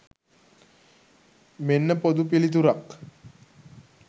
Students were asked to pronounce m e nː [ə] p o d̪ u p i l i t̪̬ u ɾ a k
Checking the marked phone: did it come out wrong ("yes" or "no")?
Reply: no